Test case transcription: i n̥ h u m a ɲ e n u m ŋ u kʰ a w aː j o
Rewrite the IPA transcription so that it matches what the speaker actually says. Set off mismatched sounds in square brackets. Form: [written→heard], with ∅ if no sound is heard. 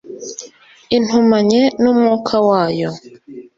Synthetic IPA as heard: i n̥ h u m a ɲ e n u m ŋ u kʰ a w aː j o